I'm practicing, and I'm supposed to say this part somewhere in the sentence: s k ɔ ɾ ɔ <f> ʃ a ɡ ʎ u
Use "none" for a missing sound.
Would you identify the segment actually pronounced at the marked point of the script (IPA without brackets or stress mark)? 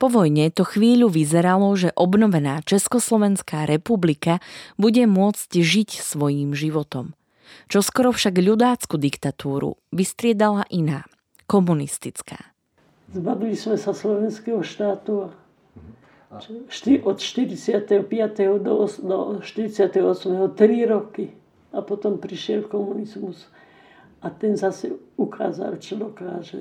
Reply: f